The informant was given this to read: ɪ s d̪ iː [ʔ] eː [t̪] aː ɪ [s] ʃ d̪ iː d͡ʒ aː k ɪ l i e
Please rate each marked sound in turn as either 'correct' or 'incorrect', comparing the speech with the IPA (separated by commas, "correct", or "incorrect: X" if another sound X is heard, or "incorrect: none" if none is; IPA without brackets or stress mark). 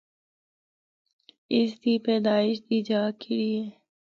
incorrect: p, incorrect: d̪, incorrect: none